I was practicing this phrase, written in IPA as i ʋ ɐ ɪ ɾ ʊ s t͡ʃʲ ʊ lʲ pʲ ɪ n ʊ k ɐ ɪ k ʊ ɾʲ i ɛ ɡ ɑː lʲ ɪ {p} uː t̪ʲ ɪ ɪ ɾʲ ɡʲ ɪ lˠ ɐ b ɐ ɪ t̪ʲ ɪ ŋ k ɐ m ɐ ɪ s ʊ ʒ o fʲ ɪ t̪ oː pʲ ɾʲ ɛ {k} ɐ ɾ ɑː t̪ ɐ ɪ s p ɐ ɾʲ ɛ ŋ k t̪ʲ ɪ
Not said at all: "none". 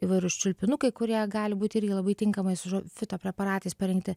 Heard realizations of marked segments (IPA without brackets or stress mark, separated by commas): b, p